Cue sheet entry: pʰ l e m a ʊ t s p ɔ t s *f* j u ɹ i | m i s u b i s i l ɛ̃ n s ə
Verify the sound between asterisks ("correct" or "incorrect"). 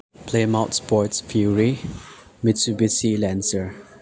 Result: correct